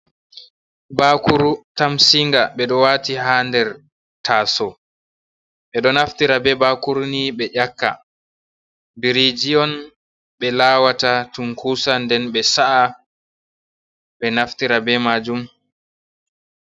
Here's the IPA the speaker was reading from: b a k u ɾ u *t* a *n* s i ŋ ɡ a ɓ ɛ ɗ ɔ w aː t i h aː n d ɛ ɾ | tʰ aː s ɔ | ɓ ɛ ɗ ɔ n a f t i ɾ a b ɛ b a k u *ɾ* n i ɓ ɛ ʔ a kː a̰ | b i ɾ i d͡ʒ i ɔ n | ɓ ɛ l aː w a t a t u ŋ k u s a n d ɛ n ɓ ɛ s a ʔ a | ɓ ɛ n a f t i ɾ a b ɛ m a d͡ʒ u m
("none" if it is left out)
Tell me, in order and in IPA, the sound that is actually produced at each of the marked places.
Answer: t, m, ɾ

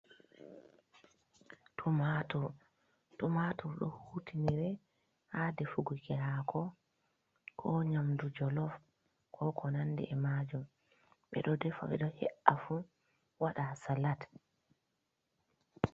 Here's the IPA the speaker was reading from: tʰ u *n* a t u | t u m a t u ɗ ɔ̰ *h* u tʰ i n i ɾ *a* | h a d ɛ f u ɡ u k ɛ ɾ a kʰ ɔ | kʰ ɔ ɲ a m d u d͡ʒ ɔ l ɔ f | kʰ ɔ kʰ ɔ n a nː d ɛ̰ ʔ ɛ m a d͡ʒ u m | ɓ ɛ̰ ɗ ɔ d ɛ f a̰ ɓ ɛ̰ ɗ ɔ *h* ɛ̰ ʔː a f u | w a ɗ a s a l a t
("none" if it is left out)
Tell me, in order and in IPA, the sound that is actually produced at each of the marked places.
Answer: m, h, ɛ, h

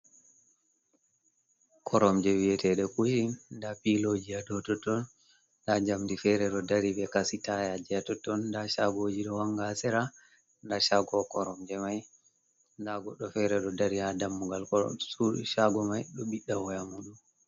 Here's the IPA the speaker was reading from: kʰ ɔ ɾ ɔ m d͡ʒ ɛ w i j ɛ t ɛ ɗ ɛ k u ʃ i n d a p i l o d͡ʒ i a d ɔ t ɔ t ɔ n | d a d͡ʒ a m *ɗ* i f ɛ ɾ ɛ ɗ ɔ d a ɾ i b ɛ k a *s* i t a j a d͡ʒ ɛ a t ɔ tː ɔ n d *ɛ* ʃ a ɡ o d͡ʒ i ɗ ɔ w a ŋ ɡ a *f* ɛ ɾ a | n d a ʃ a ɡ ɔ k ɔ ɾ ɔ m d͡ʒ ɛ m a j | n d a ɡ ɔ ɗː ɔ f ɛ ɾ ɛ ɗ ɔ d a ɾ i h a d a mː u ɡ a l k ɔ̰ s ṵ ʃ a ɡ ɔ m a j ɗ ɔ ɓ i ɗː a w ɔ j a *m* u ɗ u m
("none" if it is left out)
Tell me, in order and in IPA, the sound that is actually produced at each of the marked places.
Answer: d, s, a, s, m

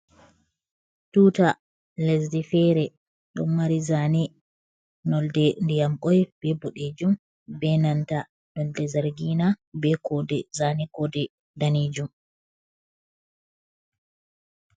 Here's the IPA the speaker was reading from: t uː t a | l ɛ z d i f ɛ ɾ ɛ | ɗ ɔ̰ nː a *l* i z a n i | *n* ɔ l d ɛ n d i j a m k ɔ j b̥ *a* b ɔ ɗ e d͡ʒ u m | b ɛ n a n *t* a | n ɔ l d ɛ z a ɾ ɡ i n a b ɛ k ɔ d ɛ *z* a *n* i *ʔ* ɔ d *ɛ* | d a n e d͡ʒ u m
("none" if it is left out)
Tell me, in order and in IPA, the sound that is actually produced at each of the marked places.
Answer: ɾ, n, ɛ, t, z, n, k, ɛ

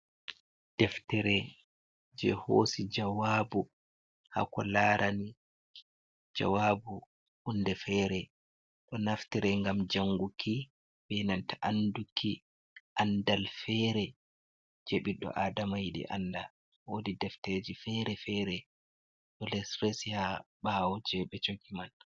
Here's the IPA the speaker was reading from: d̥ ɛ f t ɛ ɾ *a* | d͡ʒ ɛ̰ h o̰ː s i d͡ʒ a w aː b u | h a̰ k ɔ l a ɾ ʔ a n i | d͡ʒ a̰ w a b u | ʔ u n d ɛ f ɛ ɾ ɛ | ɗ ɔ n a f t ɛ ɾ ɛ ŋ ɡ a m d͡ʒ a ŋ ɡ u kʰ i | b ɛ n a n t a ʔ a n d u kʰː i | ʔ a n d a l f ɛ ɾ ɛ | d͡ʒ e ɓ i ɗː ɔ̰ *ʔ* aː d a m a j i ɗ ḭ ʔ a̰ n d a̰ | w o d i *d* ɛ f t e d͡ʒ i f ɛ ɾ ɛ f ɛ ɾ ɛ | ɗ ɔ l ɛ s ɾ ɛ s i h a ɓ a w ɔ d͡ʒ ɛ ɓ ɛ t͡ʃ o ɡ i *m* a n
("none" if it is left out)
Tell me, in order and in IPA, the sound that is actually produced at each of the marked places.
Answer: ɛ, ʔ, d, m

